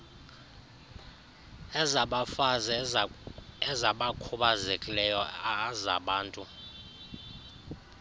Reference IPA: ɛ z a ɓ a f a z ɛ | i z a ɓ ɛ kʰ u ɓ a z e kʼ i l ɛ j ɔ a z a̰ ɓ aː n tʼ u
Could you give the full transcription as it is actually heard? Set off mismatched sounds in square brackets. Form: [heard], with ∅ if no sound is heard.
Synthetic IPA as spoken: ɛ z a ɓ a f a z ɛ | [ɛ] z a ɓ [a] kʰ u ɓ a z e kʼ i l ɛ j ɔ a z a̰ ɓ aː n tʼ u